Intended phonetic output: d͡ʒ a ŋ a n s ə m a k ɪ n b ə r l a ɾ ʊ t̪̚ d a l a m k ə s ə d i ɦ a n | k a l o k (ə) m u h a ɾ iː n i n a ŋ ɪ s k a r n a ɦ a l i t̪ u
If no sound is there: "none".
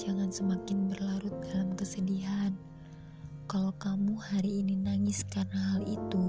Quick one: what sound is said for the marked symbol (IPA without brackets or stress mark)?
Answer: a